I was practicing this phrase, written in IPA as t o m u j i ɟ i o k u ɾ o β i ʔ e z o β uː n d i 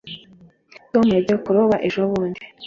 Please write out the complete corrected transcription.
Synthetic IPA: t o m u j a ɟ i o k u ɾ o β a ʔ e ʒ o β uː n d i